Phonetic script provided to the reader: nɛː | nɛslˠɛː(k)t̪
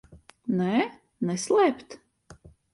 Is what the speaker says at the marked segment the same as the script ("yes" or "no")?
no